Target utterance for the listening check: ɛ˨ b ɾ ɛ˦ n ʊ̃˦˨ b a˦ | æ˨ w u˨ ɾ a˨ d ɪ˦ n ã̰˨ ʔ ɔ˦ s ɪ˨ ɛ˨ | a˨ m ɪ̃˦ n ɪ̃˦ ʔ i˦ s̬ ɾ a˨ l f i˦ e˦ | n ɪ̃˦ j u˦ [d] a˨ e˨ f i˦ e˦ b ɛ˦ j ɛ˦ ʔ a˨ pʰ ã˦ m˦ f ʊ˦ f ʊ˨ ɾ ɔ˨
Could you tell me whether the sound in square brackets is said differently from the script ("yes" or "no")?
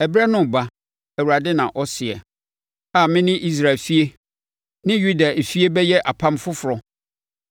no